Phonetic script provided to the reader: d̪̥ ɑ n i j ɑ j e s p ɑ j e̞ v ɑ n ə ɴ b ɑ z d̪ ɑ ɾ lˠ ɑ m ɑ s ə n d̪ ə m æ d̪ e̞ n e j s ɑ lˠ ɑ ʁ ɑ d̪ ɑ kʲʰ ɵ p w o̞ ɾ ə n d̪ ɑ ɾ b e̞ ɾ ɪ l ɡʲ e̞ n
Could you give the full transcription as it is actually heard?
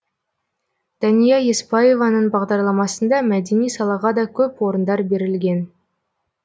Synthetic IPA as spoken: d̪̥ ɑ n i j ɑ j e s p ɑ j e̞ v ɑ n ə ɴ b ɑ ʁ d̪ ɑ ɾ lˠ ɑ m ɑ s ə n d̪ ɑ m æ d̪ e̞ n i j s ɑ lˠ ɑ ʁ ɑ d̪ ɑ kʲʰ ɵ p w o̞ ɾ ə n d̪ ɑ ɾ b e̞ ɾ ɪ l ɡʲ e̞ n